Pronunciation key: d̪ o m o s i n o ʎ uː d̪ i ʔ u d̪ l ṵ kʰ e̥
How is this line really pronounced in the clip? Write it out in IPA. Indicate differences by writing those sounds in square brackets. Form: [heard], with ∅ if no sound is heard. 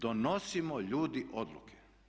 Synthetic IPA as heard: d̪ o [n] o s i [m] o ʎ uː d̪ i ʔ [o] d̪ l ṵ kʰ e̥